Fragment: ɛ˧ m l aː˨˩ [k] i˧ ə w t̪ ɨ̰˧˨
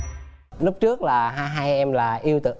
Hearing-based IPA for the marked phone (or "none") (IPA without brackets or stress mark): ʔ